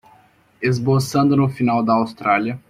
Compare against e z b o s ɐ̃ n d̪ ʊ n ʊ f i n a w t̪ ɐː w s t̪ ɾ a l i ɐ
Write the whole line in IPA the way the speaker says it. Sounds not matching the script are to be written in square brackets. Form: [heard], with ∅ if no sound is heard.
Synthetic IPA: e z b o s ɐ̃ n d̪ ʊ n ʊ f i n a w [d̪] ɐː w s t̪ ɾ a l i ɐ